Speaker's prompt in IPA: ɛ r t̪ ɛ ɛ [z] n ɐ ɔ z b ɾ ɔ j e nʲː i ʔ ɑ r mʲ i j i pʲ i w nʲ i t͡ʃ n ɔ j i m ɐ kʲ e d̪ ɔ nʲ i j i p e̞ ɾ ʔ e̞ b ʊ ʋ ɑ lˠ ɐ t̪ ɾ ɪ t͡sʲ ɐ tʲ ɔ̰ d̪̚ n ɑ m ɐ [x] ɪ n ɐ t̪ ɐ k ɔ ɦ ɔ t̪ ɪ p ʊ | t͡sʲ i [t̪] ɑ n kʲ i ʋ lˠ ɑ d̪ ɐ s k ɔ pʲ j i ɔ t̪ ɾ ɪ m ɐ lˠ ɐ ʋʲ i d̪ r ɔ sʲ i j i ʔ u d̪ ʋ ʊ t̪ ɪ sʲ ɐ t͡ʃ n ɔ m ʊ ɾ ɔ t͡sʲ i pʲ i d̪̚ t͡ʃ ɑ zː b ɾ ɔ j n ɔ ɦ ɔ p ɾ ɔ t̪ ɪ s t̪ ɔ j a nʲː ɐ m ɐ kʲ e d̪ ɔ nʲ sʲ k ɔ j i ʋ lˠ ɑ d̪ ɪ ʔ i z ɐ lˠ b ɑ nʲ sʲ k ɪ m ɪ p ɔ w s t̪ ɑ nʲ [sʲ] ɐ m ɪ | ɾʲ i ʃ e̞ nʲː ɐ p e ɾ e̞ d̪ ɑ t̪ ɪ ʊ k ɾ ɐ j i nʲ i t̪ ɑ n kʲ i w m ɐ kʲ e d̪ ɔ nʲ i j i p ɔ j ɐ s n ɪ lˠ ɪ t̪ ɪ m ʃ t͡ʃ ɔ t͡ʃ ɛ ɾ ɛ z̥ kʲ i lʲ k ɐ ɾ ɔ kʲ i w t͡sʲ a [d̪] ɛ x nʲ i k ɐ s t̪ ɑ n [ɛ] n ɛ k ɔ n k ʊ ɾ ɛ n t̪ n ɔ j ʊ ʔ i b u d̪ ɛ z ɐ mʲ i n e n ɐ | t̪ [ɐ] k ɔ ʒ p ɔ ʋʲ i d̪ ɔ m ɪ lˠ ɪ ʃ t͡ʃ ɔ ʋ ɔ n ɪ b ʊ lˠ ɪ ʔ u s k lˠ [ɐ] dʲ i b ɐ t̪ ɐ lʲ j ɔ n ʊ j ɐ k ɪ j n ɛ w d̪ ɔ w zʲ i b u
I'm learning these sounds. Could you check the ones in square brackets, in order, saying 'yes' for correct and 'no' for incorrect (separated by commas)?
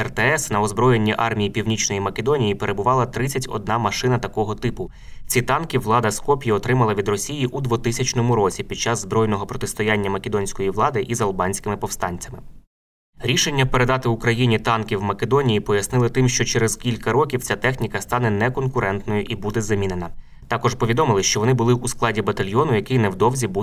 no, no, yes, no, no, yes, no, no